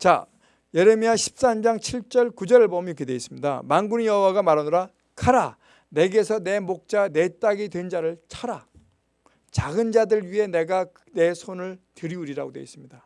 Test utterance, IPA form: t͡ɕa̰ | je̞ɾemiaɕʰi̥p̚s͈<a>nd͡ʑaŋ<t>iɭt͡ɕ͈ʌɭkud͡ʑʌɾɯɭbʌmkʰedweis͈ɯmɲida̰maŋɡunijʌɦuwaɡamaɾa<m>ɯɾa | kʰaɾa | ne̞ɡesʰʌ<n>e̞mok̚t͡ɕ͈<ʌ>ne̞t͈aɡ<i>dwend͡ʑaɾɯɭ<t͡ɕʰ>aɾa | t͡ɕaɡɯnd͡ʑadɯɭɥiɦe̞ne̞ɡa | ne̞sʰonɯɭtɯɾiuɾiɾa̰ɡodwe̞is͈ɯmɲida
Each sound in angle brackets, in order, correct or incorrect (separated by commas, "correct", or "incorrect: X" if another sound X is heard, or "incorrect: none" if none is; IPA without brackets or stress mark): correct, incorrect: t͡ɕʰ, incorrect: n, correct, incorrect: a, correct, correct